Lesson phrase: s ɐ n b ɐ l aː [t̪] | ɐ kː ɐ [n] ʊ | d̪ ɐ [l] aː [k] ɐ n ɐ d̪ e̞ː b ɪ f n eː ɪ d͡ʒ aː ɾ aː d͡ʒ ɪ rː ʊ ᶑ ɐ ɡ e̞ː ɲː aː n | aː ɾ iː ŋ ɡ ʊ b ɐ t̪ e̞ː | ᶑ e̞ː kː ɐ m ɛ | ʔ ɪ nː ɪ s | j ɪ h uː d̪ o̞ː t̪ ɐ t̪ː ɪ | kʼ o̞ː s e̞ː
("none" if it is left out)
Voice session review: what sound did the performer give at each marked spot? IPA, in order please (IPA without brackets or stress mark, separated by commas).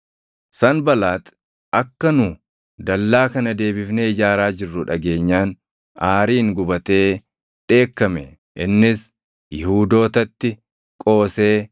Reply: t̪, n, lː, k